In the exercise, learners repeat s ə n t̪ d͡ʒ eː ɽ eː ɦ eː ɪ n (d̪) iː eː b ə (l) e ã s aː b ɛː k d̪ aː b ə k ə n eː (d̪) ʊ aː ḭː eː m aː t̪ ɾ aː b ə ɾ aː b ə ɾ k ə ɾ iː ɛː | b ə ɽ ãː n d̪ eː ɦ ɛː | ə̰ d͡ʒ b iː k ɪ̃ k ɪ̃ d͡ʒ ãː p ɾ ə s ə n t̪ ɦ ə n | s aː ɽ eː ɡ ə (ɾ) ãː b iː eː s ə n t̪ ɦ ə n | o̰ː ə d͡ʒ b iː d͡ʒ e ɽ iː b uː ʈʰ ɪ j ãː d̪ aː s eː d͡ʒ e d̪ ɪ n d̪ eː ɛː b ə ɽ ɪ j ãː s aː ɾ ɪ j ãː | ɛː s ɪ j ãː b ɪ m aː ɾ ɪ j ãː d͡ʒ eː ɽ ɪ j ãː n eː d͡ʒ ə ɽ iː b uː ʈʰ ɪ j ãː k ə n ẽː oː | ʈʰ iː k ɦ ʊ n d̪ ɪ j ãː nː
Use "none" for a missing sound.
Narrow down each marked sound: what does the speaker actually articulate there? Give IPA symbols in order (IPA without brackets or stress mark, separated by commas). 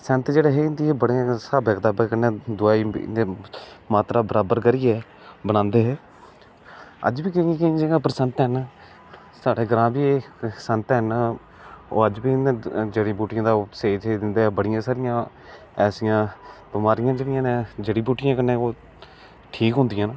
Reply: d̪, ɽ, d̪, ɾ